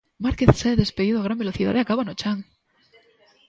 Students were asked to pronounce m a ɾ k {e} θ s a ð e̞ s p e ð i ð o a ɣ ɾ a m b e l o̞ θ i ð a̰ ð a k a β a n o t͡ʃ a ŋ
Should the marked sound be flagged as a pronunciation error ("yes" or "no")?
no